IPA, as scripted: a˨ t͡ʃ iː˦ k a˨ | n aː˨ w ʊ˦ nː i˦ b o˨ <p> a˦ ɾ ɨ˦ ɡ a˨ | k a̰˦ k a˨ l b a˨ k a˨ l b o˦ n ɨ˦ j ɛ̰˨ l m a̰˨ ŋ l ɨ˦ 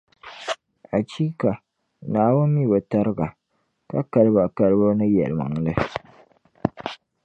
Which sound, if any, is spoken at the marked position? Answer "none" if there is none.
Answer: t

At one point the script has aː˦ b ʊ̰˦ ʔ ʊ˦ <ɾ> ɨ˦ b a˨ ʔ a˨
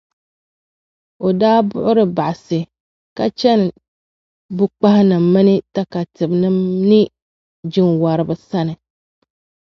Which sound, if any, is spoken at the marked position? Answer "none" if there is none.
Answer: ɾ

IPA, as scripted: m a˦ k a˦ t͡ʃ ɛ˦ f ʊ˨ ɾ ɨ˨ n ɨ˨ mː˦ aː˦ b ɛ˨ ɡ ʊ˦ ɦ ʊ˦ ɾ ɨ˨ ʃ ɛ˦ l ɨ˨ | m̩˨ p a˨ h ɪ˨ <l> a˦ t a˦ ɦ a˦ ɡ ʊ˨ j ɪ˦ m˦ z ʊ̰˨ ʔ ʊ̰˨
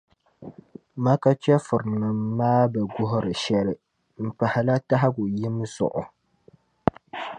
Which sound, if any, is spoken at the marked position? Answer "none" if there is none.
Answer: l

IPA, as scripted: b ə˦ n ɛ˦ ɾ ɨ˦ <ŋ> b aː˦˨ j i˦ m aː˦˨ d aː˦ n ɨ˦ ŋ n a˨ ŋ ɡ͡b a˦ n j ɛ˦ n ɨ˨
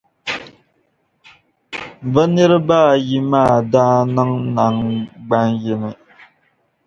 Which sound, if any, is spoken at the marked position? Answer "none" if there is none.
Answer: none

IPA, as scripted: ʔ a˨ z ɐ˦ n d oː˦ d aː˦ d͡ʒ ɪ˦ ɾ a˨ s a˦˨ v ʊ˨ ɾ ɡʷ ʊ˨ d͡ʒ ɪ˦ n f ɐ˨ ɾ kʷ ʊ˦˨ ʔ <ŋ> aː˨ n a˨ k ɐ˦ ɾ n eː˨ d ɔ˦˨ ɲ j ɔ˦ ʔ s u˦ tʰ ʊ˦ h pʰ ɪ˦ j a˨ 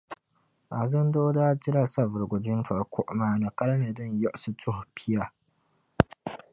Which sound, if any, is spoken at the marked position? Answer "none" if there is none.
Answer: m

